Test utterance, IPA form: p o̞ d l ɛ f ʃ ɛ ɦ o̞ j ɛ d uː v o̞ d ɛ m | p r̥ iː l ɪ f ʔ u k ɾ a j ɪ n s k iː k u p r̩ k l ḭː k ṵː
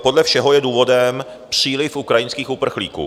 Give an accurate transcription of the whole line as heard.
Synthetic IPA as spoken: p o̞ d l ɛ f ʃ ɛ ɦ o̞ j ɛ d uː v o̞ d ɛ m | p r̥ iː l ɪ f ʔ u k ɾ a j ɪ n s k iː x u p r̩ x l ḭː k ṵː

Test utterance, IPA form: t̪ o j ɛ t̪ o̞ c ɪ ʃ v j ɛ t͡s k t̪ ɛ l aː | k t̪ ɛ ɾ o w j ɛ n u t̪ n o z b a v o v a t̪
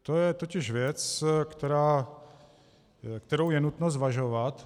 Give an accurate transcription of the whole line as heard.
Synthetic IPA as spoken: t̪ o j ɛ t̪ o̞ c ɪ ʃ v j ɛ t͡s k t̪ ɛ ɾ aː | k t̪ ɛ ɾ o w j ɛ n u t̪ n o z v a ʒ o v a t̪

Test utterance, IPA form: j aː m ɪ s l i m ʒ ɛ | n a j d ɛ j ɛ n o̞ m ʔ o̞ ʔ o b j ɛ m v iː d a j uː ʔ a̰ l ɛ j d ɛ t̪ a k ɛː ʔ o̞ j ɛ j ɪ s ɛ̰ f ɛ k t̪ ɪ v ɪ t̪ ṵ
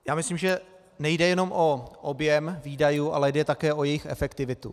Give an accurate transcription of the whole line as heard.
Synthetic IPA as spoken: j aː m ɪ s l i m ʒ ɛ | n ɛ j d ɛ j ɛ n o̞ m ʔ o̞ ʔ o b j ɛ m v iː d a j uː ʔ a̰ l ɛ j d ɛ t̪ a k ɛː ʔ o̞ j ɛ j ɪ x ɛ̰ f ɛ k t̪ ɪ v ɪ t̪ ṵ

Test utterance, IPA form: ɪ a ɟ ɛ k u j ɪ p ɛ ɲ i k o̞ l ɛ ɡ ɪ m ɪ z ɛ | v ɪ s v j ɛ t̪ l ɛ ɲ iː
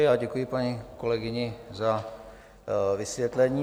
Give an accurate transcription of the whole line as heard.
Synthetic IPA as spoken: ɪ a ɟ ɛ k u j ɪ p a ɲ i k o̞ l ɛ ɡ ɪ ɲ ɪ z a | v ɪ s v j ɛ t̪ l ɛ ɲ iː

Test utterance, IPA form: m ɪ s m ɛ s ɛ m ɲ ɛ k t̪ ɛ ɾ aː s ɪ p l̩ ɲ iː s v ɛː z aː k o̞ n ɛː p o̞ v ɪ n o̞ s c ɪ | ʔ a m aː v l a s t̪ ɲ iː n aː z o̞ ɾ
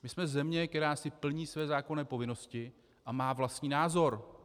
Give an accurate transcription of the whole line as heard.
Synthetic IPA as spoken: m ɪ s m ɛ z ɛ m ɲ ɛ k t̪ ɛ ɾ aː s ɪ p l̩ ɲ iː s v ɛː z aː k o̞ n ɛː p o̞ v ɪ n o̞ s c ɪ | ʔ a m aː v l a s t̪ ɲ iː n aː z o̞ ɾ

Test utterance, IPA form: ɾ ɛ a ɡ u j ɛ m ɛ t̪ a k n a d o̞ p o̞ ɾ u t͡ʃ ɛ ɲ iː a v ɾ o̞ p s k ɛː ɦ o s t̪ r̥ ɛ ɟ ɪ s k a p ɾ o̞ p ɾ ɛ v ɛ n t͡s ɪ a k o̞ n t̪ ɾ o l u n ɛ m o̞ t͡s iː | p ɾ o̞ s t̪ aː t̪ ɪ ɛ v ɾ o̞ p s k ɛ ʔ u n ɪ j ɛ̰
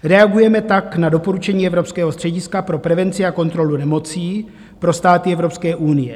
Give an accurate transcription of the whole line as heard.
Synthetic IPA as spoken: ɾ ɛ a ɡ u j ɛ m ɛ t̪ a k n a d o̞ p o̞ ɾ u t͡ʃ ɛ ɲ iː ɛ v ɾ o̞ p s k ɛː ɦ o s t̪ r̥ ɛ ɟ ɪ s k a p ɾ o̞ p ɾ ɛ v ɛ n t͡s ɪ a k o̞ n t̪ ɾ o l u n ɛ m o̞ t͡s iː | p ɾ o̞ s t̪ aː t̪ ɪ ɛ v ɾ o̞ p s k ɛː ʔ u n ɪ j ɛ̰

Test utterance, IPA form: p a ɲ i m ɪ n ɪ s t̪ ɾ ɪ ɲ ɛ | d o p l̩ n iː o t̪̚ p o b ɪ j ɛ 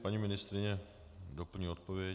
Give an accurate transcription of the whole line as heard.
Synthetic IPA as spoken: p a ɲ i m ɪ n ɪ s t̪ ɾ ɪ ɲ ɛ | d o p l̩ ɲ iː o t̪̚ p o v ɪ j ɛ

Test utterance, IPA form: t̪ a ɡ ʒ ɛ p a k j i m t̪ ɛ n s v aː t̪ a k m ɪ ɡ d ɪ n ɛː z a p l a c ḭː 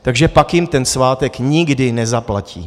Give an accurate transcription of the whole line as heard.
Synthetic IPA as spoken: t̪ a ɡ ʒ ɛ p a k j ɪ m t̪ ɛ n s v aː t̪ ɛ k ɲ ɪ ɡ d ɪ n ɛ z a p l a c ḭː

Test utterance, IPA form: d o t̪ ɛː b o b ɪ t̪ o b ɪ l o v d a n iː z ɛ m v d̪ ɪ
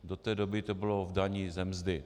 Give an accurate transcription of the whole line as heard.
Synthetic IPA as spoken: d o t̪ ɛː d o b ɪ t̪ o b ɪ l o v d a ɲ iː z ɛ m z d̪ ɪ

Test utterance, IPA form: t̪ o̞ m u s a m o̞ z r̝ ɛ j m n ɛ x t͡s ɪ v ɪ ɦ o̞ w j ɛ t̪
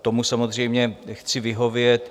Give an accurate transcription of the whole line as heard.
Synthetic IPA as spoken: t̪ o̞ m u s a m o̞ z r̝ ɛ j m ɲ ɛ x t͡s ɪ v ɪ ɦ o̞ v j ɛ t̪

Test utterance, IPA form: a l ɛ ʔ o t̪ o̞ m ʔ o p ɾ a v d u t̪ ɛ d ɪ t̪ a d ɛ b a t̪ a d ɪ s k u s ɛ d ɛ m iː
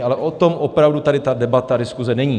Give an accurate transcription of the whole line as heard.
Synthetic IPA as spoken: a l ɛ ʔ o t̪ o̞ m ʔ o p ɾ a v d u t̪ a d ɪ t̪ a d ɛ b a t̪ a d ɪ s k u z ɛ n ɛ ɲ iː

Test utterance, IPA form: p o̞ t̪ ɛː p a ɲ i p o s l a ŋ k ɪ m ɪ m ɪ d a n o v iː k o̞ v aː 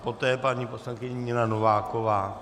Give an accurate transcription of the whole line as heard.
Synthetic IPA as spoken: p o̞ t̪ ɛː p a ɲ i p o s l a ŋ k ɪ ɲ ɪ ɲ ɪ n a n o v aː k o̞ v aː

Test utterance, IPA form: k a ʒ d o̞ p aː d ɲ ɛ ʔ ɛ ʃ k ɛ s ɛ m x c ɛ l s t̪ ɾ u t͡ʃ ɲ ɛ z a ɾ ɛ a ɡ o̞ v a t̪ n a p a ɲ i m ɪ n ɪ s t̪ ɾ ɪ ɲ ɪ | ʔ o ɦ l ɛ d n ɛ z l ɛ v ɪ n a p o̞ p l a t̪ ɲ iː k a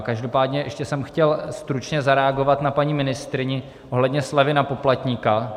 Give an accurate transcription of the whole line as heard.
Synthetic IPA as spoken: k a ʒ d o̞ p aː d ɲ ɛ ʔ ɛ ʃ c ɛ s ɛ m x c ɛ l s t̪ ɾ u t͡ʃ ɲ ɛ z a ɾ ɛ a ɡ o̞ v a t̪ n a p a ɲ i m ɪ n ɪ s t̪ ɾ ɪ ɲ ɪ | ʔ o ɦ l ɛ d ɲ ɛ s l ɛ v ɪ n a p o̞ p l a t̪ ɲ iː k a

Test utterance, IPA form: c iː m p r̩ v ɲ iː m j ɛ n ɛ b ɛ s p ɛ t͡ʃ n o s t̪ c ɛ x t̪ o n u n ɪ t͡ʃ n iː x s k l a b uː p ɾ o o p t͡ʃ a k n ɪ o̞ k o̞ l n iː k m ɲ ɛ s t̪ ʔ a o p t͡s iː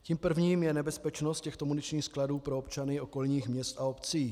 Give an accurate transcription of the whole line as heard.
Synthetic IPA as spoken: c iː m p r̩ v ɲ iː m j ɛ n ɛ b ɛ s p ɛ t͡ʃ n o s t̪ c ɛ x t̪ o m u n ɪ t͡ʃ ɲ iː x s k l a d uː p ɾ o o p t͡ʃ a n ɪ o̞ k o̞ l ɲ iː x m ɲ ɛ s t̪ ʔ a o p t͡s iː

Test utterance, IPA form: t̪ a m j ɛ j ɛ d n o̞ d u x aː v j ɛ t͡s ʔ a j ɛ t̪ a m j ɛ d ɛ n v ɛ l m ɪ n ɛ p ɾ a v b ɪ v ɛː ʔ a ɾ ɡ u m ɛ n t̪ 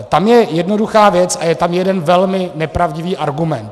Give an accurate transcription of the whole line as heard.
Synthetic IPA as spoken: t̪ a m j ɛ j ɛ d n o̞ d u x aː v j ɛ t͡s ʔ a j ɛ t̪ a m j ɛ d ɛ n v ɛ l m ɪ n ɛ p ɾ a v ɟ ɪ v iː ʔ a ɾ ɡ u m ɛ n t̪

